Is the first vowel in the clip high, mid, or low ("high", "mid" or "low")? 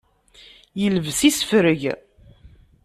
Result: mid